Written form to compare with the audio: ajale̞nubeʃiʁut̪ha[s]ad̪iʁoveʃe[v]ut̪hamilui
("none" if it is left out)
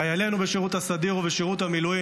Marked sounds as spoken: s, ʁ

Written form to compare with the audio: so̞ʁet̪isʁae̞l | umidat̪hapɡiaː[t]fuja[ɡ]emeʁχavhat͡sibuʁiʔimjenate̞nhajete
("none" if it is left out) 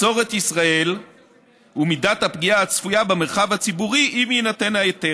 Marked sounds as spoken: t͡s, b

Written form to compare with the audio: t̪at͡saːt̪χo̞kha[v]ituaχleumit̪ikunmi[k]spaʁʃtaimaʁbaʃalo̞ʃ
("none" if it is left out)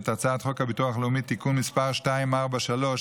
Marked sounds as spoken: b, none

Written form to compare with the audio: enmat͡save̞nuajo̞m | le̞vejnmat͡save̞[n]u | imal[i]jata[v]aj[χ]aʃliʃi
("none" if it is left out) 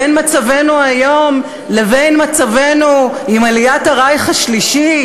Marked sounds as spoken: n, i, ʁ, χ

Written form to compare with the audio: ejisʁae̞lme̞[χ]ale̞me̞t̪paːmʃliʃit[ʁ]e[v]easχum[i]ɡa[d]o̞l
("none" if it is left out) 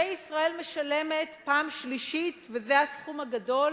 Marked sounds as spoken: ʃ, v, z, a, d

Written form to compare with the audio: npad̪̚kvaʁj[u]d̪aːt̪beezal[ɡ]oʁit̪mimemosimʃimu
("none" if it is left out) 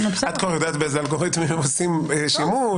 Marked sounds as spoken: o, ɡ

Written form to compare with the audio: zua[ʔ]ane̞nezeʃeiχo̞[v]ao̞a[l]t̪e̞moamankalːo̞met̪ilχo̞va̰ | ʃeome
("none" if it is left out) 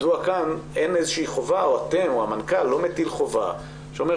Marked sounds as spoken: k, v, none

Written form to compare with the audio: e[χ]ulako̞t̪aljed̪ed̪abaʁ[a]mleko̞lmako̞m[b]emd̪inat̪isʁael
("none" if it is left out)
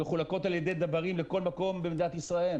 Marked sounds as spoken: χ, i, b

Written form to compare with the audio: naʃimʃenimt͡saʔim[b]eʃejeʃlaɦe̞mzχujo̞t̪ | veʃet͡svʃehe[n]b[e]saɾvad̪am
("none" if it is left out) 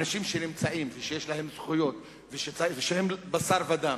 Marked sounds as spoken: v, m, a

